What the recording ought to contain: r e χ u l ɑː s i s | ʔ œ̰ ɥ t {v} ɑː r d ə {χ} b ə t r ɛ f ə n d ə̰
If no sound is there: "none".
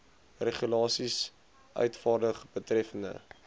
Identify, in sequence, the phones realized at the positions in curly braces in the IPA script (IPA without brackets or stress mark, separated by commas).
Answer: f, χ